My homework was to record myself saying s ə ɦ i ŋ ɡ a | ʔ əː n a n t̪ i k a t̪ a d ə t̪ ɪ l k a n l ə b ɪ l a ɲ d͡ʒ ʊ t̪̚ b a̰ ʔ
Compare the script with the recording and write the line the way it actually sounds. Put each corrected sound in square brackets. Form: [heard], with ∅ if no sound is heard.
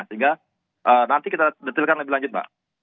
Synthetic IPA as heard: s ə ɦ i ŋ ɡ a | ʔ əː n a n t̪ i k [i] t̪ a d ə t̪ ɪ l k a n l ə b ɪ l a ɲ d͡ʒ ʊ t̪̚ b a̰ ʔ